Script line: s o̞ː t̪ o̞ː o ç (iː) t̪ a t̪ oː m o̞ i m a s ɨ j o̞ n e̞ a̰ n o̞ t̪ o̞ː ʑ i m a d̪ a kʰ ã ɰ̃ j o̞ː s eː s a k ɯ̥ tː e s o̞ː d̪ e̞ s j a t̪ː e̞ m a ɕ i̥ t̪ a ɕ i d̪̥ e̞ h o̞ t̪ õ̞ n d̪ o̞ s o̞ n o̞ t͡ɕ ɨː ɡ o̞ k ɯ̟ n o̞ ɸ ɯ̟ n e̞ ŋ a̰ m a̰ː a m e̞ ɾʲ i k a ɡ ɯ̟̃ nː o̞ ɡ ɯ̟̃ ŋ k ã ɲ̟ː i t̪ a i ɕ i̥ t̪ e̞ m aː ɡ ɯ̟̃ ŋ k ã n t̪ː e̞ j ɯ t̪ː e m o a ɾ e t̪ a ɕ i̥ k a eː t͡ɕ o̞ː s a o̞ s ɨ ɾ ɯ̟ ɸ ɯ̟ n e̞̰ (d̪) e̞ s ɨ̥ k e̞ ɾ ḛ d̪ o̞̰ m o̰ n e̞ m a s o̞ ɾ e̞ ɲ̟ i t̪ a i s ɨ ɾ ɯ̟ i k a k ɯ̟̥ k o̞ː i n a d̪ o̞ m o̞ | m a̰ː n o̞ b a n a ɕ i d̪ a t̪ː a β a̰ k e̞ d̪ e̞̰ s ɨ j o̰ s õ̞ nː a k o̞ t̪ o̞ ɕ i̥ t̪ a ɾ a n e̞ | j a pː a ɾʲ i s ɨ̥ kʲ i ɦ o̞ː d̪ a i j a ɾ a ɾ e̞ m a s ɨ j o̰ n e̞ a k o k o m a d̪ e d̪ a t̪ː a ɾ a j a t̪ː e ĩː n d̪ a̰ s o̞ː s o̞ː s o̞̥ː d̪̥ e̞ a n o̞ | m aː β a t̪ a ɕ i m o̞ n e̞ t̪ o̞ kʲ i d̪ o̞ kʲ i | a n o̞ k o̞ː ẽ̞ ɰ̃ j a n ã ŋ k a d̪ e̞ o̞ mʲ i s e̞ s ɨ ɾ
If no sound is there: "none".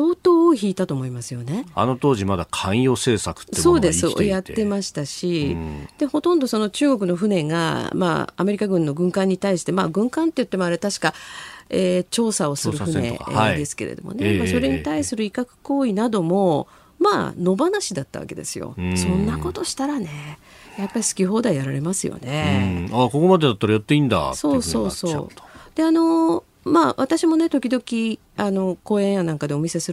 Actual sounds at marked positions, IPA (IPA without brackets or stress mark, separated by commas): iː, d̪